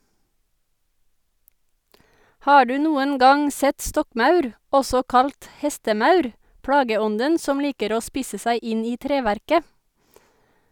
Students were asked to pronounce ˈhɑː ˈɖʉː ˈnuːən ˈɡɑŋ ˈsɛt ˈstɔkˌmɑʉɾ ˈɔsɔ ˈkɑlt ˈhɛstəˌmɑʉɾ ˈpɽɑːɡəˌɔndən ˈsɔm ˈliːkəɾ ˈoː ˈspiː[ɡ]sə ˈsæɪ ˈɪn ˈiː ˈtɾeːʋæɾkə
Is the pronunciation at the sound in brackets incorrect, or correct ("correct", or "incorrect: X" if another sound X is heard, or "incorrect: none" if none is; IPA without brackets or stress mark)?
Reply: incorrect: none